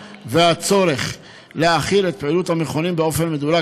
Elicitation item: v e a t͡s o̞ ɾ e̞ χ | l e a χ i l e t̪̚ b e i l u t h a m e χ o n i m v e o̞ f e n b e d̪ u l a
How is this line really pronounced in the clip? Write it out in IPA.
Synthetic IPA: v e a t͡s o̞ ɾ e̞ χ | l e a χ i l e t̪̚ p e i l u t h a m e χ o n i m b e o̞ f e n m e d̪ u l a